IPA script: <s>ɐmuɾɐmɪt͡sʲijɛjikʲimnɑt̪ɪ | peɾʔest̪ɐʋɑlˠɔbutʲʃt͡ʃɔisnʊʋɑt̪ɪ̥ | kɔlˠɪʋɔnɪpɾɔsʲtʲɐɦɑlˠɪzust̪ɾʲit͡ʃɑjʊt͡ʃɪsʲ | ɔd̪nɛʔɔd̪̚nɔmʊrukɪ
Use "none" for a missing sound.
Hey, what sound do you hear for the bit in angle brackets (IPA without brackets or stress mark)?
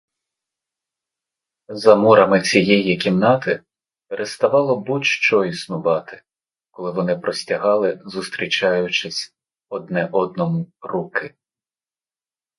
z